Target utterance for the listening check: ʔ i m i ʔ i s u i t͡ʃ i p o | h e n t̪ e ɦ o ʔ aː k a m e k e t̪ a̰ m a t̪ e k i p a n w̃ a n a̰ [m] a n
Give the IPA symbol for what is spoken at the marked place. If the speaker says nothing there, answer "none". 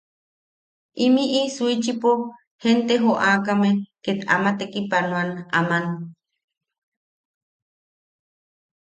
m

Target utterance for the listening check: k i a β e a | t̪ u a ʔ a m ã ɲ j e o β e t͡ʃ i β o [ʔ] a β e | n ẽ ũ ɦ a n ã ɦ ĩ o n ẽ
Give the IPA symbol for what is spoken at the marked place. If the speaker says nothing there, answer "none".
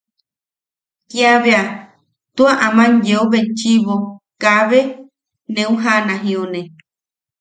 k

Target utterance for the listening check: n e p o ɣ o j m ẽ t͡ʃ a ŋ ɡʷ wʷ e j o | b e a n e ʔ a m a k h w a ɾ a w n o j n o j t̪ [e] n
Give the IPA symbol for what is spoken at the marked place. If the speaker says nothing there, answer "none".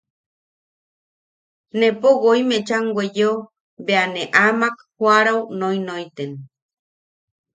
e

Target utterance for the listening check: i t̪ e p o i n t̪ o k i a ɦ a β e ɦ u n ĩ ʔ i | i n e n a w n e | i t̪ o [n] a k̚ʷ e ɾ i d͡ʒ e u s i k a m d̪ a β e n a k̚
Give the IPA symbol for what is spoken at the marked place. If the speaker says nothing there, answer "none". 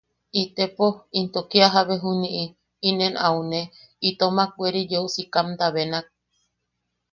m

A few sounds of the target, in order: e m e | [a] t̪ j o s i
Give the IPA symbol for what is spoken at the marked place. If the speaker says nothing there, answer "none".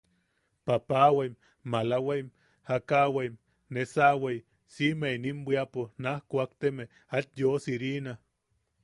a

